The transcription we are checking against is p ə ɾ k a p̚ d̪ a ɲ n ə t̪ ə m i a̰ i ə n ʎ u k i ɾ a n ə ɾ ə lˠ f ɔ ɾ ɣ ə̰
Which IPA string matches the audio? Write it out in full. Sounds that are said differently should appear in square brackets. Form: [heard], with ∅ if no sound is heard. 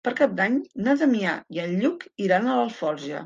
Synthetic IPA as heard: p ə ɾ k a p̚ d̪ a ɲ n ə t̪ ə m i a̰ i ə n ʎ u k i ɾ a n ə [l] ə lˠ f ɔ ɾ [ʒ] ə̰